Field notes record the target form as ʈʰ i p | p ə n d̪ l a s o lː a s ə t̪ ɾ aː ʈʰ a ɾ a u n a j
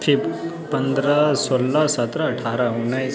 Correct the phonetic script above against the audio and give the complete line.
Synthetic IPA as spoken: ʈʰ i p | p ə n d̪ ɾ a s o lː a s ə t̪ ɾ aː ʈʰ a ɾ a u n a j